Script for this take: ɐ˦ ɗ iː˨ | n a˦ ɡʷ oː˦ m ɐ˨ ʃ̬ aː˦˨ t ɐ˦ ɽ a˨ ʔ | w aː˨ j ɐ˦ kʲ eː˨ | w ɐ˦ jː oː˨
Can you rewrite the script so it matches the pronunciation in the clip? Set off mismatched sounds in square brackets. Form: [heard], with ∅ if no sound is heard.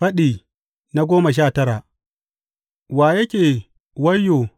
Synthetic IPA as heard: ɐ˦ ɗ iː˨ | n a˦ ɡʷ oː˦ m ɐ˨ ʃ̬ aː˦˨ t ɐ˦ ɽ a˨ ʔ | w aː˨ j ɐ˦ kʲ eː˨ | w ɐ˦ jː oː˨